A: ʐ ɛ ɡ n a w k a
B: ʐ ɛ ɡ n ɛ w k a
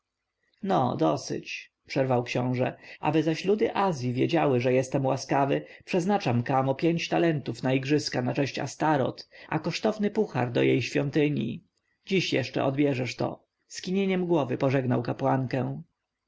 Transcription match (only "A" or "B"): A